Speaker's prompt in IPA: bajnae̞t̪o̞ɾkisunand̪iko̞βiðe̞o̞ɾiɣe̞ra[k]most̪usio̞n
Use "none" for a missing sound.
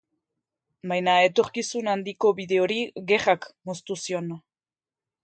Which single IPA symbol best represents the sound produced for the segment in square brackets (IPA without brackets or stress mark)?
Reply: k